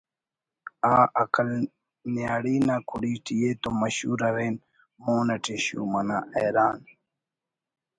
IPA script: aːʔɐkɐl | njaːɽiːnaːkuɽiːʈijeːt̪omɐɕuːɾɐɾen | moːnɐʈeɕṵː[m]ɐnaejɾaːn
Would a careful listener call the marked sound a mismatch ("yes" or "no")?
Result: no